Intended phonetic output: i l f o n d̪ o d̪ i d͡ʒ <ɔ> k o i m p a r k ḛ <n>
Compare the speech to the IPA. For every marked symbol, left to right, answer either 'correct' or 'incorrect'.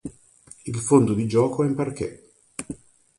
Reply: incorrect: ɔː, incorrect: none

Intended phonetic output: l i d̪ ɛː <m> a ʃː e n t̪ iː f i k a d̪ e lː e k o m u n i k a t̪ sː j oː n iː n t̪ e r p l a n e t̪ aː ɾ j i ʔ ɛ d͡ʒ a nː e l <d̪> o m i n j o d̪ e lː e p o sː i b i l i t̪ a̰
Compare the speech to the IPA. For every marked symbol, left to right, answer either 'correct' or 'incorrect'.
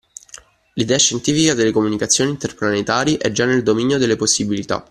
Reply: incorrect: none, correct

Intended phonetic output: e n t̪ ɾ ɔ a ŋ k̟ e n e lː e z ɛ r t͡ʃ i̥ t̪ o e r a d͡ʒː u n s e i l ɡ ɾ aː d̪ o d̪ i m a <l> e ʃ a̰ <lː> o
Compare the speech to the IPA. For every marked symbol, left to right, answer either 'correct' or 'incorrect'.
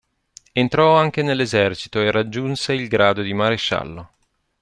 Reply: incorrect: ɾ, correct

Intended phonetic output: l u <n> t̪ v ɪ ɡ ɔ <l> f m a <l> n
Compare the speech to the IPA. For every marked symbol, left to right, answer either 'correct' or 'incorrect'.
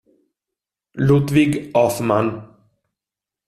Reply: incorrect: none, incorrect: none, incorrect: none

